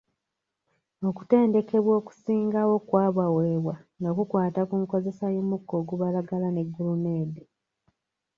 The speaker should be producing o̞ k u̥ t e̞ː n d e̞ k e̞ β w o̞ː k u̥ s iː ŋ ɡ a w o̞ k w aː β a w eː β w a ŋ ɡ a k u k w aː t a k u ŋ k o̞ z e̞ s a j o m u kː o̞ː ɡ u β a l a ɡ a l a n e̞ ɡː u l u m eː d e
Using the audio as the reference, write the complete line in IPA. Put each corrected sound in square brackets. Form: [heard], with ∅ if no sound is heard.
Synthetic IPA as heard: o̞ k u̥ t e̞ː n d e̞ k e̞ β w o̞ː k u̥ s iː ŋ ɡ a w o̞ k w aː β a w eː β w a ŋ ɡ a k u k w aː t a k u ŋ k o̞ z e̞ s a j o m u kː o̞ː ɡ u β a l a ɡ a l a n e̞ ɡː u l u m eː d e